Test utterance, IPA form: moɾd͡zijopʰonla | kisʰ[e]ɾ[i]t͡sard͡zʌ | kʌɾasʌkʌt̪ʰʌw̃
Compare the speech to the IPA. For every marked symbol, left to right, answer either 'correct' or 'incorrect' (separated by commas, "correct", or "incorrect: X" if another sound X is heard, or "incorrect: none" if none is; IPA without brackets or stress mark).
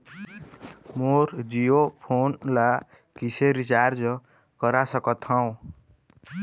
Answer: correct, correct